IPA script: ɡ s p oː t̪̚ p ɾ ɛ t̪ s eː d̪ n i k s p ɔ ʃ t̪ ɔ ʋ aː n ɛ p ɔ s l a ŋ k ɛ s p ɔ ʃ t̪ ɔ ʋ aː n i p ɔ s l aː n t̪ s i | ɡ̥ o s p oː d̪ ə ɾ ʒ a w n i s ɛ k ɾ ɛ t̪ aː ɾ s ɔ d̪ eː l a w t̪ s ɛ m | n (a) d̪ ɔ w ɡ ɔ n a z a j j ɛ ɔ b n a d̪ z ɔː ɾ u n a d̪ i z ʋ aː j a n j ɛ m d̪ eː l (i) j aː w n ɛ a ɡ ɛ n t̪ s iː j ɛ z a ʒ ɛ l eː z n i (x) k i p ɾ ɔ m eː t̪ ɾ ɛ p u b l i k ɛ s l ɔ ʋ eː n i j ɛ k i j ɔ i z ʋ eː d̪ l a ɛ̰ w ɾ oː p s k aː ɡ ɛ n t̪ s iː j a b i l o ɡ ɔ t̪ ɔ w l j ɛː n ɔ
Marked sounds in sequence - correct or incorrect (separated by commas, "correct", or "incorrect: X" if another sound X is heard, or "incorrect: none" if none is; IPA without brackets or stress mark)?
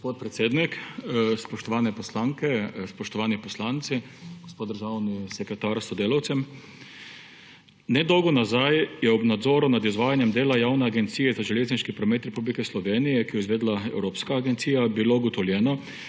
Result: incorrect: ɛ, incorrect: a, incorrect: ʃ